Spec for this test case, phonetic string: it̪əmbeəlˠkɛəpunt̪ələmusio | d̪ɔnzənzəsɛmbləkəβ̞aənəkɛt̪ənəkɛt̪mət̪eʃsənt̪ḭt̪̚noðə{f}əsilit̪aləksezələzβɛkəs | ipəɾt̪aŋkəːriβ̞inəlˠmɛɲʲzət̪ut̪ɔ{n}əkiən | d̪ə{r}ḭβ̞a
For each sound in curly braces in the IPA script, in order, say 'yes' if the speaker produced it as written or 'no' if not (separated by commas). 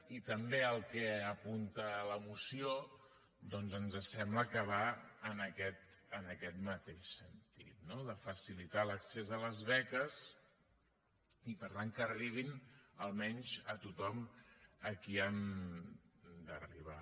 yes, no, yes